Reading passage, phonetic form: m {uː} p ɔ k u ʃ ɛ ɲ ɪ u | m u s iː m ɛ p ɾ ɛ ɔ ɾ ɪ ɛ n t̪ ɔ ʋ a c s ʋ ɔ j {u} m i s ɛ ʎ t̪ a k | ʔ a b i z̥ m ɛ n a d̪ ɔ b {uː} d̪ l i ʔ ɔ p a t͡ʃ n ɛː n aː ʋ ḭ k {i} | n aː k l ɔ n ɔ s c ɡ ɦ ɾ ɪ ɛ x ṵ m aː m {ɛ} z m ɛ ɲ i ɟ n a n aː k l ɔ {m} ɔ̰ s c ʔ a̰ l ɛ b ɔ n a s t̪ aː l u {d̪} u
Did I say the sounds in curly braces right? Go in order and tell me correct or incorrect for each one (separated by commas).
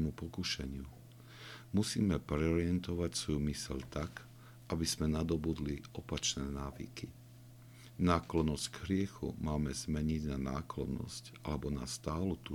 incorrect, correct, incorrect, correct, correct, incorrect, incorrect